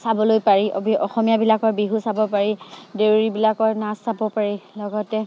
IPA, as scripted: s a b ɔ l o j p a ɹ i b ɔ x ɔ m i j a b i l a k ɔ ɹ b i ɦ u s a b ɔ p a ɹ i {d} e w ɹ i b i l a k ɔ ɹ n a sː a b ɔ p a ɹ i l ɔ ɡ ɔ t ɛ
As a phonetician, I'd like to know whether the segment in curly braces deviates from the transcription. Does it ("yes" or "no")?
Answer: no